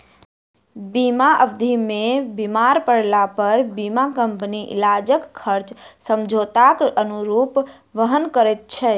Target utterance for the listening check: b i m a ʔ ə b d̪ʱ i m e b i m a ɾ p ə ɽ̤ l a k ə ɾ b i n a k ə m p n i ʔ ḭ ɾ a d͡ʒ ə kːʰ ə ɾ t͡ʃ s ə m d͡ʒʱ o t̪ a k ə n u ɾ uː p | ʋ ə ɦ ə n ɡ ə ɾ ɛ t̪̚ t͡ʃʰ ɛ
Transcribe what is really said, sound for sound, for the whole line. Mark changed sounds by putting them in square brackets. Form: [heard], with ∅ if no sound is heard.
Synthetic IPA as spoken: b i m a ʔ ə b d̪ʱ i m e b i m a ɾ p ə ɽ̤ l a [p] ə ɾ b i [m] a k ə m p n i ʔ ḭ [l] a d͡ʒ ə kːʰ ə ɾ t͡ʃ s ə m d͡ʒʱ o t̪ a k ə n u ɾ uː p | ʋ ə ɦ ə n [k] ə ɾ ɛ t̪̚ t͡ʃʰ ɛ

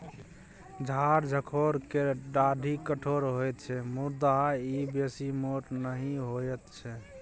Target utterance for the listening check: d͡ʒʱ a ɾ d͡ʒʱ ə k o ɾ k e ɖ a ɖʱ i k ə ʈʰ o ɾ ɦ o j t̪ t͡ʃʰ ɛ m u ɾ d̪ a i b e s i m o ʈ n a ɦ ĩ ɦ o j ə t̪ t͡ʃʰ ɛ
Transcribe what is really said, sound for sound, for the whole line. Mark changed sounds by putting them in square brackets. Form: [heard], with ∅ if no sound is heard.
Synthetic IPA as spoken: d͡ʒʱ a ɾ d͡ʒʱ ə [kʰ] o ɾ k e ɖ a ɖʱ i k ə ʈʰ o ɾ ɦ o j t̪ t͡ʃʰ ɛ m u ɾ d̪ a i b e s i m o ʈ n [ə] ɦ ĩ ɦ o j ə t̪ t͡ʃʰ ɛ

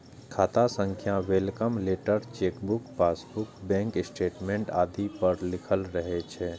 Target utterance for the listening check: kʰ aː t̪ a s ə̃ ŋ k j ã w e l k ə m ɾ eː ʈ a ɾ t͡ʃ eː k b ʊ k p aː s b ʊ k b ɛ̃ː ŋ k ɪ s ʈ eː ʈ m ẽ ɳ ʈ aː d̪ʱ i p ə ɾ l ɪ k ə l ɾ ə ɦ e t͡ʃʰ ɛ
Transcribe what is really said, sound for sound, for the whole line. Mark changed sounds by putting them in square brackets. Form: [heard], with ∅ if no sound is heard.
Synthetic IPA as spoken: kʰ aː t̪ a s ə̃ ŋ [kʰ] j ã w e l k ə m [l] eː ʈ [ə] ɾ t͡ʃ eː k b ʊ k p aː s b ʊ k b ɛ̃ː ŋ k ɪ s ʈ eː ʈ m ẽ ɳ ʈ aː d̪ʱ i p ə ɾ l ɪ [kʰ] ə l ɾ ə ɦ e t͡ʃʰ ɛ

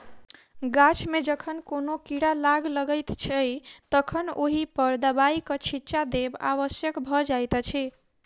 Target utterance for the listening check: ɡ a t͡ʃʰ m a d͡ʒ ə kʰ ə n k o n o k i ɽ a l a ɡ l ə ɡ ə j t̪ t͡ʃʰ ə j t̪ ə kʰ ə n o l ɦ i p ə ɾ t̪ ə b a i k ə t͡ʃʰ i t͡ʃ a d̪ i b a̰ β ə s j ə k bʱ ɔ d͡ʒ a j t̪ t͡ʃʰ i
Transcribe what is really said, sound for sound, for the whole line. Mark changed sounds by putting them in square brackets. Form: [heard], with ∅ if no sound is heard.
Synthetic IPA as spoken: ɡ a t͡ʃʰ m [e] d͡ʒ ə kʰ ə n k o n o k i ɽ a l a ɡ l ə ɡ ə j t̪ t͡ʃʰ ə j t̪ ə kʰ ə n o [∅] ɦ i p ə ɾ [d̪] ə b a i k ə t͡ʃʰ i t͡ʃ a d̪ [e] b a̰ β ə s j ə k bʱ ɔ d͡ʒ a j t̪ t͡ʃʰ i

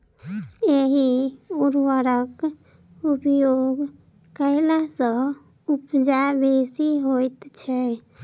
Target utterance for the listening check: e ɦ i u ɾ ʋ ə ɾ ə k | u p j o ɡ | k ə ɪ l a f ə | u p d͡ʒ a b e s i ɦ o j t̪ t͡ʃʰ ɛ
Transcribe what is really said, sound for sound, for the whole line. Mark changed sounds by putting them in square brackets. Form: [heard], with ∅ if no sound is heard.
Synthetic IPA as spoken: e ɦ i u ɾ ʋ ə ɾ ə k | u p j o ɡ | k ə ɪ l a [s] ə | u p d͡ʒ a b e s i ɦ o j t̪ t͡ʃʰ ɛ

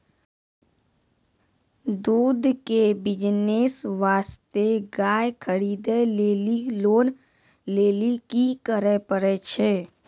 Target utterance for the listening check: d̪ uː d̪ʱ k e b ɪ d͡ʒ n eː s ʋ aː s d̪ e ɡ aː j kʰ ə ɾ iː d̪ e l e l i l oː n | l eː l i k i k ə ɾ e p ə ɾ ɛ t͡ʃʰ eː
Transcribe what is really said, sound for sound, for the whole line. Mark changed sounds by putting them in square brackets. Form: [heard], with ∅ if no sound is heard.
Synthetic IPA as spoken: d̪ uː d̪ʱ k e b ɪ d͡ʒ n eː s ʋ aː s [t̪] e ɡ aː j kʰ ə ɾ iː d̪ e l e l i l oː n | l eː l i k i k ə ɾ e p ə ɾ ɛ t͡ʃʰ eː

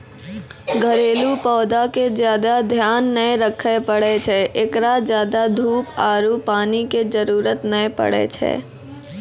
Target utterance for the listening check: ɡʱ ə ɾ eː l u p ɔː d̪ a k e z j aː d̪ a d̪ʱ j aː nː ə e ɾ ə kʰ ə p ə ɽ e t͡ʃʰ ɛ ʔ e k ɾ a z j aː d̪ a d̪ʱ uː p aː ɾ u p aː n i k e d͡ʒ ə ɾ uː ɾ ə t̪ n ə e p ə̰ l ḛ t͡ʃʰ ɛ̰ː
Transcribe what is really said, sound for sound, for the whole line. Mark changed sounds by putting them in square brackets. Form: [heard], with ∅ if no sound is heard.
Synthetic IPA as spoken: ɡʱ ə ɾ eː l u p ɔː d̪ a k e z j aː d̪ a d̪ʱ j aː nː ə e ɾ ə kʰ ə p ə ɽ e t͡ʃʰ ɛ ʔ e k ɾ a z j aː d̪ a d̪ʱ uː p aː ɾ u p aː n i k e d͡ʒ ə ɾ uː ɾ ə t̪ n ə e p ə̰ [ɽ] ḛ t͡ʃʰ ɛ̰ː

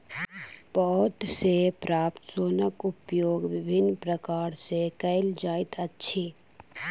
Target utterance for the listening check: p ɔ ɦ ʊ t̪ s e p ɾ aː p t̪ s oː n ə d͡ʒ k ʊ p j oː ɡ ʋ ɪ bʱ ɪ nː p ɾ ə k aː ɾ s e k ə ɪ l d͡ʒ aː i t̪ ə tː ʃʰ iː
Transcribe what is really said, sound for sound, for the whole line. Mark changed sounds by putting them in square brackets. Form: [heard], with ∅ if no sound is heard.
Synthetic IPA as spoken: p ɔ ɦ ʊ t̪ s e p ɾ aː p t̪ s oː n ə [∅] k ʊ p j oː ɡ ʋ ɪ bʱ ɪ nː p ɾ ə k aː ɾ s e k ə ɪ l d͡ʒ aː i t̪ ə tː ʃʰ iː

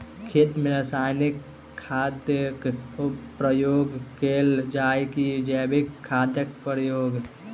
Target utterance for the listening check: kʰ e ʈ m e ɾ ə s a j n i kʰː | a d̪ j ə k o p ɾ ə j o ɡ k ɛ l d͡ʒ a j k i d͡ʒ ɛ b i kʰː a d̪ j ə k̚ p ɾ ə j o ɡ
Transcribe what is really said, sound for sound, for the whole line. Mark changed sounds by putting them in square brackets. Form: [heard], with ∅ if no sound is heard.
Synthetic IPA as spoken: kʰ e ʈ m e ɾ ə s a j n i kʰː | a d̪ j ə k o p ɾ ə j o ɡ k [e] l d͡ʒ a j k i d͡ʒ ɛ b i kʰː a d̪ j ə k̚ p ɾ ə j o ɡ

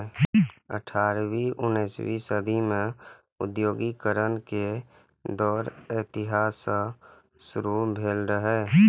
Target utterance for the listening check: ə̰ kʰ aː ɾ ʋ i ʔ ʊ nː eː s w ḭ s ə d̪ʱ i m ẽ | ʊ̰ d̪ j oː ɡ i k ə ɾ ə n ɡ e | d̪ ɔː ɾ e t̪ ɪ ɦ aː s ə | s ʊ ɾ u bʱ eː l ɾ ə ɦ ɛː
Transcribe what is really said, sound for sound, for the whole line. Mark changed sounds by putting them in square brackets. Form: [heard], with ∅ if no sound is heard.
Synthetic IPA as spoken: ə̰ [ʈʰ] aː ɾ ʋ i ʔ ʊ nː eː s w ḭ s ə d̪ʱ i m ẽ | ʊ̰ d̪ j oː ɡ i k ə ɾ ə n [k] e | d̪ ɔː ɾ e t̪ ɪ ɦ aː s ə | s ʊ ɾ u bʱ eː l ɾ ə ɦ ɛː

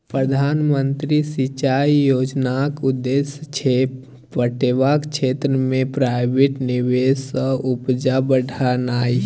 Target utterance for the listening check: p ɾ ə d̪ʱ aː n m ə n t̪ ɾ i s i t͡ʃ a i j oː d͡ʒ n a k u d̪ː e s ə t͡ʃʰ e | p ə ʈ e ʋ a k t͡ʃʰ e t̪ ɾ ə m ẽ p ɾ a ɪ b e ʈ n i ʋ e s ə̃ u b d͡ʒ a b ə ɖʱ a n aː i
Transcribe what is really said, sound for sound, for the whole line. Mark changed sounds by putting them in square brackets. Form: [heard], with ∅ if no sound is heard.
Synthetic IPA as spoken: p ɾ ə d̪ʱ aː n m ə n t̪ ɾ i s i t͡ʃ a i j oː d͡ʒ n a k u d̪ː e s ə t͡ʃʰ e | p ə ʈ e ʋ a k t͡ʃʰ e t̪ ɾ ə m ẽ p ɾ a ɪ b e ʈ n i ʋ e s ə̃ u [p] d͡ʒ a b ə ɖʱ a n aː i

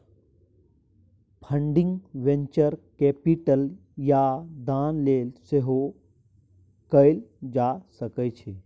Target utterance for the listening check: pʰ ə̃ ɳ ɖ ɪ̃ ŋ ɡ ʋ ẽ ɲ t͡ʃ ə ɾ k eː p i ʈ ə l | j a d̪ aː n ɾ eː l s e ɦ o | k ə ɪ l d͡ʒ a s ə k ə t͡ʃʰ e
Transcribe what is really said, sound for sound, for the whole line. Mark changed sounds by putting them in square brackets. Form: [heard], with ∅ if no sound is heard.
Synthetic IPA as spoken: pʰ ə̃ ɳ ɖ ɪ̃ ŋ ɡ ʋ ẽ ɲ t͡ʃ ə ɾ k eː p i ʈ ə l | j a d̪ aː n [l] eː l s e ɦ o | k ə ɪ l d͡ʒ a s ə k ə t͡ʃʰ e

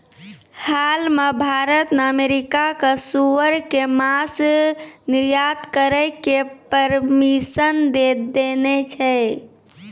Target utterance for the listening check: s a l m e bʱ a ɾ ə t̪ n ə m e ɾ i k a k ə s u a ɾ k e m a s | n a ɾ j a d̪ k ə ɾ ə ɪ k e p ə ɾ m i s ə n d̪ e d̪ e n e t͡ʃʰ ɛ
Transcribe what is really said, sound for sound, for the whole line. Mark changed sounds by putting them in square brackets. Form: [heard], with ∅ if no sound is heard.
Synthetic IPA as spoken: [h] a l m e bʱ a ɾ ə t̪ n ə m e ɾ i k a k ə s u [ə] ɾ k e m a s | n [i] ɾ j a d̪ k ə ɾ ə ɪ k e p ə ɾ m i s ə n d̪ e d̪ e n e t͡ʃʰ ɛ

